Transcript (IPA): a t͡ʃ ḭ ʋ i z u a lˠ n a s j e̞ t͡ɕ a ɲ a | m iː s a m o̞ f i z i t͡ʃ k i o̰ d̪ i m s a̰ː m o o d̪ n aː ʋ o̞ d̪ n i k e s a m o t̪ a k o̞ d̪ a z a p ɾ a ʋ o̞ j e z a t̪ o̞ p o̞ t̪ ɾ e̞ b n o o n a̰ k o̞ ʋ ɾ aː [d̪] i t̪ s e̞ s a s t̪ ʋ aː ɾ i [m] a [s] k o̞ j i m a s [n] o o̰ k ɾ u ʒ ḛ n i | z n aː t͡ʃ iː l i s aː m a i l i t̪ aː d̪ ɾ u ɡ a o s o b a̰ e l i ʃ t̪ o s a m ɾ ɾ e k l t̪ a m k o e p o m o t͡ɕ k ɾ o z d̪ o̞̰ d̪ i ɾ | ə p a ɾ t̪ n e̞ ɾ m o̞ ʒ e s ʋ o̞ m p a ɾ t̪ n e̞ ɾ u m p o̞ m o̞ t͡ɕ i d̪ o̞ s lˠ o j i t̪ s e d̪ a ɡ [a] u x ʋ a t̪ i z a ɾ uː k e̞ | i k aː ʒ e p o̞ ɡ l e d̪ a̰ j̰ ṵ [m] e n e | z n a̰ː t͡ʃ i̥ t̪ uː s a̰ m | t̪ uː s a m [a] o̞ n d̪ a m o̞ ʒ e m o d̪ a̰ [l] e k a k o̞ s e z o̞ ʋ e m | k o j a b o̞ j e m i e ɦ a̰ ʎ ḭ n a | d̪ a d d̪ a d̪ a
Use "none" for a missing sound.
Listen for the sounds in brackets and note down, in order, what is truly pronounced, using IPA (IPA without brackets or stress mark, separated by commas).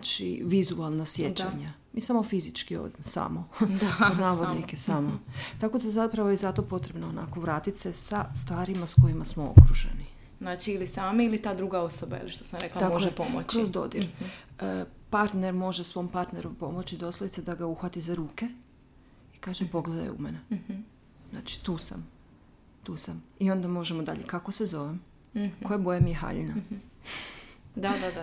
t̪, m, s, m, a, m, i, ʎ